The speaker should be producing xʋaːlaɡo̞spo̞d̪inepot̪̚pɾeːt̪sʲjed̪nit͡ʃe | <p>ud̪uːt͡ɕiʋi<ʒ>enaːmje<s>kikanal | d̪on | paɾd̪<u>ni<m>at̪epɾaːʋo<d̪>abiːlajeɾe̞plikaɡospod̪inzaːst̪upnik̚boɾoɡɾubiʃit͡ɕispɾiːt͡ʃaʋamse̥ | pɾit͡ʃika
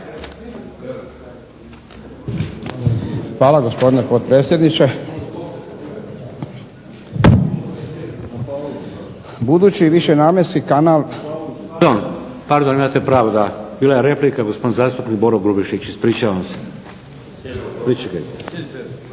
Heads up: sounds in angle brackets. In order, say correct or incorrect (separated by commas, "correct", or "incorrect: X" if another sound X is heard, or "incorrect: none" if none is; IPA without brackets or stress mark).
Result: incorrect: b, incorrect: ʃ, correct, incorrect: o, correct, correct